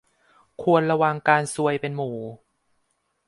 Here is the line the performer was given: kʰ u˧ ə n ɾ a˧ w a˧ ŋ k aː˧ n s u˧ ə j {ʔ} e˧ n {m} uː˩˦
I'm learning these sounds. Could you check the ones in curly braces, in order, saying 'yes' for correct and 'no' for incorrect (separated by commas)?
no, yes